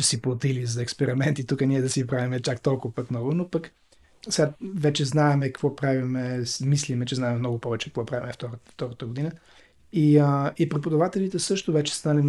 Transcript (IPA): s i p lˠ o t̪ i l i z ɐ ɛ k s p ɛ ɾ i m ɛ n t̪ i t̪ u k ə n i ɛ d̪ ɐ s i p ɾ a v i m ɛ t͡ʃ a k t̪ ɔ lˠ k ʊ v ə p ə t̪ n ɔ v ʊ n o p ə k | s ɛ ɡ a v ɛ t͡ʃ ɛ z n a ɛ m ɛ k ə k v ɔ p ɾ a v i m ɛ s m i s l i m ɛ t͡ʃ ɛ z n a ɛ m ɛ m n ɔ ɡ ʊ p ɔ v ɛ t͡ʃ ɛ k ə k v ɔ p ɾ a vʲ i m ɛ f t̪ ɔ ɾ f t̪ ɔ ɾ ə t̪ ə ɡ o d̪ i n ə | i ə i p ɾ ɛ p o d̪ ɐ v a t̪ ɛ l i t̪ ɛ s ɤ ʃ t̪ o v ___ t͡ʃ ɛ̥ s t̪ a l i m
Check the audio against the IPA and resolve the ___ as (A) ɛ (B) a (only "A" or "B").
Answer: A